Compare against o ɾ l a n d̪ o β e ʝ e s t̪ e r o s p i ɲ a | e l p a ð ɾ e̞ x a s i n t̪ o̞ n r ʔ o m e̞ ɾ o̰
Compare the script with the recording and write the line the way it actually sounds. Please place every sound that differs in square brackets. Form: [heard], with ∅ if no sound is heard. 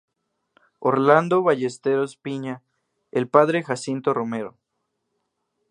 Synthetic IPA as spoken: o ɾ l a n d̪ o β [a] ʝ e s t̪ e [ɾ] o s p i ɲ a | e l p a ð ɾ e̞ x a s i n t̪ o̞ [∅] r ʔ o m e̞ ɾ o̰